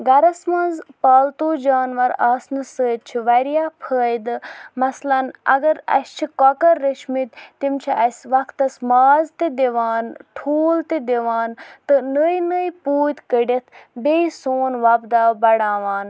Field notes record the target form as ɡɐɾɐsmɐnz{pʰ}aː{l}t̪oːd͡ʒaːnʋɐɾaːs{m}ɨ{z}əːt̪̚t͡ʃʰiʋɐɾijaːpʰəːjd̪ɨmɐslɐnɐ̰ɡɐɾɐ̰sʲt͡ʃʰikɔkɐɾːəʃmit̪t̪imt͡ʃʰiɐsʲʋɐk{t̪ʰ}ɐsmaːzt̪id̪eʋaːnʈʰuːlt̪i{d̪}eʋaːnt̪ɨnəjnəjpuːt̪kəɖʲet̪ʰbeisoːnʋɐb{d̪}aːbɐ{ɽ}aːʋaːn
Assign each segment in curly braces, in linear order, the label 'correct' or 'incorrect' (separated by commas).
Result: incorrect, correct, incorrect, incorrect, incorrect, correct, correct, correct